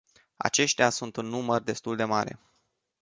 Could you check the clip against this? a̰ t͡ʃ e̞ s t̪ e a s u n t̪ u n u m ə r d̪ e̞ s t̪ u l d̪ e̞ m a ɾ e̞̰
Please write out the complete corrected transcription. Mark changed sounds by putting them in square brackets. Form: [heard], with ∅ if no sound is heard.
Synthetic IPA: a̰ t͡ʃ e̞ [ʃ] t̪ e a s u n t̪ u [nː] u m ə r d̪ e̞ s t̪ u l d̪ e̞ m a ɾ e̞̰